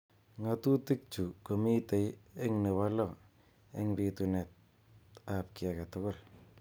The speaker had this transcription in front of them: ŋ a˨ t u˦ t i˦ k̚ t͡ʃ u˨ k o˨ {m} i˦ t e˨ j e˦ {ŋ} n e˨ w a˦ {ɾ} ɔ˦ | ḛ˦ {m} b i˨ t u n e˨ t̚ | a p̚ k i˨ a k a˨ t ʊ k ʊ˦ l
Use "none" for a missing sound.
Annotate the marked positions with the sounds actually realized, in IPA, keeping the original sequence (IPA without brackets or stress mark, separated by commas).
m, ŋ, l, ŋ